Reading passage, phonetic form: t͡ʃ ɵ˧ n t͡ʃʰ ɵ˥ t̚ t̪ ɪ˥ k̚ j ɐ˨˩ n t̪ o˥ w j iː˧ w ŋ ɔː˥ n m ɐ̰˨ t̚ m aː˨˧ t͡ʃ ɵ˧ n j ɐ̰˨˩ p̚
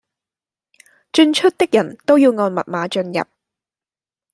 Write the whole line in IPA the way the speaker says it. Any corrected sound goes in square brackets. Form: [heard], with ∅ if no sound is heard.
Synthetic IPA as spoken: t͡ʃ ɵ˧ n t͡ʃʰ ɵ˥ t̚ t̪ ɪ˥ k̚ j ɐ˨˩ n t̪ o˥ w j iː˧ w ŋ [ɔː˧] n m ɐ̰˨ t̚ m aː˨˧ t͡ʃ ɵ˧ n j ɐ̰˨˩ p̚